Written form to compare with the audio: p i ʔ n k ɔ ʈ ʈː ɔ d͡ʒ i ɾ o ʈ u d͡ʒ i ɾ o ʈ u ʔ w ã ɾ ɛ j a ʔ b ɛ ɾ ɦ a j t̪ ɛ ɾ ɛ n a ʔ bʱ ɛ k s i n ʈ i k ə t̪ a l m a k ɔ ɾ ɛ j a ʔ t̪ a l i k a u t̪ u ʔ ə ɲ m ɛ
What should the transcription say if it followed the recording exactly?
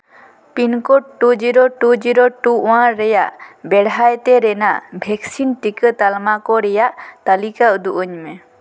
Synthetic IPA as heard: p i n k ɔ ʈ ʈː u d͡ʒ i ɾ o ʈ u d͡ʒ i ɾ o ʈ u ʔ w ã ɾ ɛ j a ʔ b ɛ ɽ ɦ a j t̪ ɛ ɾ ɛ n a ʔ bʱ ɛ k s i n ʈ i k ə t̪ a l m a k ɔ ɾ ɛ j a ʔ t̪ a l i k a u d̪ u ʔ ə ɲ m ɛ

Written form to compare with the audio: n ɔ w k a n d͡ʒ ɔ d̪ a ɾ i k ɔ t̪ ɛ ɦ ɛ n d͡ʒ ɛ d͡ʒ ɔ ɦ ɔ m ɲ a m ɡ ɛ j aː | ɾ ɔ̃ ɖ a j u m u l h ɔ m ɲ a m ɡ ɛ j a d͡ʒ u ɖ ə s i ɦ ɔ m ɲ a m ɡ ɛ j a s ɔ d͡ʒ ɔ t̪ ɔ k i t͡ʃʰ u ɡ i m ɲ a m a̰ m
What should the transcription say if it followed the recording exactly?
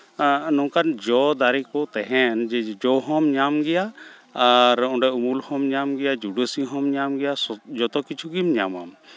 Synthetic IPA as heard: n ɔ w k a n d͡ʒ ɔ d̪ a ɾ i k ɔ t̪ ɛ ɦ ɛ n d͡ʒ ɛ d͡ʒ ɔ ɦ ɔ m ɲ a m ɡ ɛ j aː | ɾ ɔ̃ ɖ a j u m u l h ɔ m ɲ a m ɡ ɛ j a d͡ʒ u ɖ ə s i ɦ ɔ m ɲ a m ɡ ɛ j a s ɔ d͡ʒ ɔ t̪ ɔ k i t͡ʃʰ u ɡ i m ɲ a m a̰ m

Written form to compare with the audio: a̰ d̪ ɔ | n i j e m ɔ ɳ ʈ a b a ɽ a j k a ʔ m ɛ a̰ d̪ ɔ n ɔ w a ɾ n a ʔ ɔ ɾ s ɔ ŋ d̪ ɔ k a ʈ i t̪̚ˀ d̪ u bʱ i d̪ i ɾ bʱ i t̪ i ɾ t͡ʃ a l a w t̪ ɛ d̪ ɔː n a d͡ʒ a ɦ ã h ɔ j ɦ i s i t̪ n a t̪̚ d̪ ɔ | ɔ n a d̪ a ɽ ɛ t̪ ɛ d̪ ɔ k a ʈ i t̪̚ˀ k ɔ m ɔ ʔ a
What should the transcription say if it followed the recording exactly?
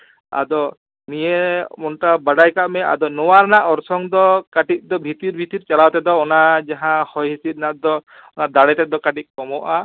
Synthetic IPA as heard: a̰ d̪ ɔ | n i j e m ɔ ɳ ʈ a b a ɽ a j k a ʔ m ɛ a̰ d̪ ɔ n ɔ w a ɾ n a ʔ ɔ ɾ s ɔ ŋ d̪ ɔ k a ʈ i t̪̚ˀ d̪ ɔ bʱ i t̪ i ɾ bʱ i t̪ i ɾ t͡ʃ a l a w t̪ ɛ d̪ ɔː n a d͡ʒ a ɦ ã h ɔ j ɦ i s i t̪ n a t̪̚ d̪ ɔ | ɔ n a d̪ a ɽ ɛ t̪ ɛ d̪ ɔ k a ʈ i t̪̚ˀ k ɔ m ɔ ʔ a

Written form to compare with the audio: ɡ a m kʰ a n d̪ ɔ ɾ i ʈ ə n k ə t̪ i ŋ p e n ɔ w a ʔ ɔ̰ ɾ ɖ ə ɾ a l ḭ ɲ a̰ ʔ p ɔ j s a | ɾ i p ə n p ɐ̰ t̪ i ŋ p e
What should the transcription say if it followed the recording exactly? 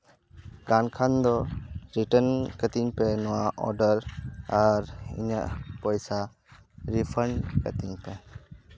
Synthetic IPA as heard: ɡ a n kʰ a n d̪ ɔ ɾ i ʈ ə n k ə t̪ i ŋ p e n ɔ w a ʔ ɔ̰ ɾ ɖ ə ɾ a ɾ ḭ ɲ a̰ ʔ p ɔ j s a | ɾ i pʰ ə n k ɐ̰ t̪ i ŋ p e

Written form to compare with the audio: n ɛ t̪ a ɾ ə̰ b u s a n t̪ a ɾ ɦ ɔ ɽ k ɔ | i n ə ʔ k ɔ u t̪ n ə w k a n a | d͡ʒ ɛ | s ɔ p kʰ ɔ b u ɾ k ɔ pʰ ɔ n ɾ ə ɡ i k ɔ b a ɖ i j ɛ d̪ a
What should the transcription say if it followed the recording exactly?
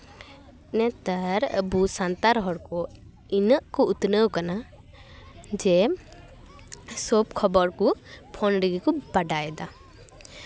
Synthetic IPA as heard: n ɛ t̪ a ɾ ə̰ b u s a n t̪ a ɾ ɦ ɔ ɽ k ɔ | i n ə ʔ k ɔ u t̪ n ə w k a n a | d͡ʒ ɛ | s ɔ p kʰ ɔ b ɔ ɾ k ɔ pʰ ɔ n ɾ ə ɡ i k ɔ b a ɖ a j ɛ d̪ a

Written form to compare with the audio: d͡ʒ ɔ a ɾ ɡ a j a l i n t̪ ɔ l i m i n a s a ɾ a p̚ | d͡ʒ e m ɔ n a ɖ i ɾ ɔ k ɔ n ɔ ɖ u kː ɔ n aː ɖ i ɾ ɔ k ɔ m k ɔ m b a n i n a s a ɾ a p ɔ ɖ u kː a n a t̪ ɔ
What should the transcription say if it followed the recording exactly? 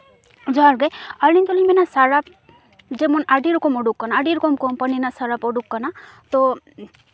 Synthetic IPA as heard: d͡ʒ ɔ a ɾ ɡ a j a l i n t̪ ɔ l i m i n a s a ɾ a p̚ | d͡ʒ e m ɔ n a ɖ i ɾ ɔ k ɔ m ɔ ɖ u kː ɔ n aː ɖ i ɾ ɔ k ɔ m k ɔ m p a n i n a s a ɾ a p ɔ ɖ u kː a n a t̪ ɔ

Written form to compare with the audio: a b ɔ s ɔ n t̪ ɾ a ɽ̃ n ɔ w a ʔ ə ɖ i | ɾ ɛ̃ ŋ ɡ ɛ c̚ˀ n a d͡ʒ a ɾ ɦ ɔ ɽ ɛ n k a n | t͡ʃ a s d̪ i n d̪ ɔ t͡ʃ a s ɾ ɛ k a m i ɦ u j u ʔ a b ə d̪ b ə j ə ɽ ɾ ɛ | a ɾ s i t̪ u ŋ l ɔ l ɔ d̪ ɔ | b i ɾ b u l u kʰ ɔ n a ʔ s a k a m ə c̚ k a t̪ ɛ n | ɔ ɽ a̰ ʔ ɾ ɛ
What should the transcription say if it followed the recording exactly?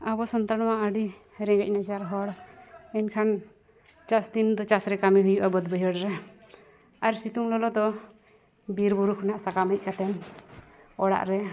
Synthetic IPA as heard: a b ɔ s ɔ n t̪ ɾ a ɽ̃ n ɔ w a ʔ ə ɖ i | ɾ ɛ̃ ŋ ɡ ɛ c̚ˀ n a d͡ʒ a ɾ ɦ ɔ ɽ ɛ n kʰ a n | t͡ʃ a s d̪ i n d̪ ɔ t͡ʃ a s ɾ ɛ k a m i ɦ u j u ʔ a b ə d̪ b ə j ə ɽ ɾ ɛ | a ɾ s i t̪ u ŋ l ɔ l ɔ d̪ ɔ | b i ɾ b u ɾ u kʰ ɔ n a ʔ s a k a m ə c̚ k a t̪ ɛ n | ɔ ɽ a̰ ʔ ɾ ɛ

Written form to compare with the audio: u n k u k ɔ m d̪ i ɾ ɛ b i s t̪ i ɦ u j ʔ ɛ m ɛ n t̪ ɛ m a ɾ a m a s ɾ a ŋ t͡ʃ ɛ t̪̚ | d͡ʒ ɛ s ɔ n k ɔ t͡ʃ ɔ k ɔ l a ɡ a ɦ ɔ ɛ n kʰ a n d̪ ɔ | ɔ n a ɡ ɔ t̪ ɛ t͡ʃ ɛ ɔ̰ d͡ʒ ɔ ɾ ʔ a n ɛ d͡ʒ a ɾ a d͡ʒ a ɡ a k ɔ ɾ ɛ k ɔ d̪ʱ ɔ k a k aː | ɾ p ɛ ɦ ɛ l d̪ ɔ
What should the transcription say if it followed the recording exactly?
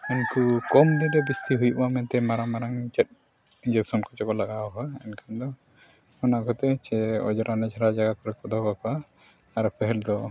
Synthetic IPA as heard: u n k u k ɔ m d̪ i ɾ ɛ b i s t̪ i ɦ u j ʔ a m ɛ n t̪ ɛ m a ɾ a m a ɾ a ŋ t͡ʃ ɛ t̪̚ | d͡ʒ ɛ s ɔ n k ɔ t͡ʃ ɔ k ɔ l a ɡ a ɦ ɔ ɛ n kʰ a n d̪ ɔ | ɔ n a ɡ ɔ t̪ ɛ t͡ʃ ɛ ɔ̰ d͡ʒ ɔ ɾ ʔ a n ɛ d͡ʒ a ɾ a d͡ʒ a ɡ a k ɔ ɾ ɛ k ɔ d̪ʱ ɔ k a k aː | ɾ p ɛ ɦ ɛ l d̪ ɔ

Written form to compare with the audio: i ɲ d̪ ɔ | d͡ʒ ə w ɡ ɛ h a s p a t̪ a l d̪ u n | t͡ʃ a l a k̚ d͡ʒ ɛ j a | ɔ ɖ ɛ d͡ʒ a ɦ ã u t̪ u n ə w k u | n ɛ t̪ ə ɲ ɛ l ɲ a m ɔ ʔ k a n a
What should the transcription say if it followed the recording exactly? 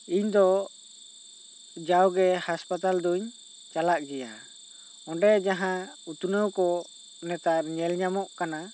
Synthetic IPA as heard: i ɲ d̪ ɔ | d͡ʒ a w ɡ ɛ h a s p a t̪ a l d̪ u ɲ | t͡ʃ a l a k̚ d͡ʒ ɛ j a | ɔ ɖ ɛ d͡ʒ a ɦ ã u t̪ u n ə w k ɔ | n ɛ t̪ a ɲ ɛ l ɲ a m ɔ ʔ k a n a

